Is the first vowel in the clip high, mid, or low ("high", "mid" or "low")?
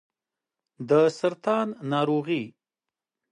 mid